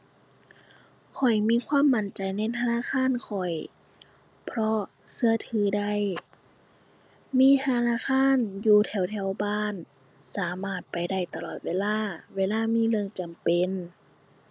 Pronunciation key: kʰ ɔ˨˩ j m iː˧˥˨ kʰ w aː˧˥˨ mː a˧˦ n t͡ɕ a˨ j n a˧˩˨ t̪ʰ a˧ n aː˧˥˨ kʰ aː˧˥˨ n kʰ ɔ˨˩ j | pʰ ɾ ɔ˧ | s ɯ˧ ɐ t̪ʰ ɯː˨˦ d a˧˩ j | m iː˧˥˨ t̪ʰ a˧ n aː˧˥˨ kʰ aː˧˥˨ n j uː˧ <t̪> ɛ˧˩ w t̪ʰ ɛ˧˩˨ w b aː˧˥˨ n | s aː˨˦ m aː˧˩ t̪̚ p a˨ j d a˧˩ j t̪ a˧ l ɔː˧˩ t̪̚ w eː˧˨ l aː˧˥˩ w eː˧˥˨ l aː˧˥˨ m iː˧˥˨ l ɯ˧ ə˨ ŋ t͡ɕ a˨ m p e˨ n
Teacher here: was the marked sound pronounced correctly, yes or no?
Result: no